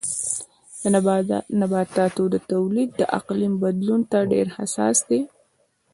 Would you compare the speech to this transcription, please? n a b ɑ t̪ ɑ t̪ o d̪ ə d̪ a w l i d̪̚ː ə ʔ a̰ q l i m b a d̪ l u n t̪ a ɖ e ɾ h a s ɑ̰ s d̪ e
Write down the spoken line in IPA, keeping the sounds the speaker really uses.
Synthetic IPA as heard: n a b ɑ t̪ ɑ t̪ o d̪ ə t̪ a w l i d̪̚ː ə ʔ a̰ q l i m b a d̪ l u n t̪ a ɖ e ɾ h a s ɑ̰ s d̪ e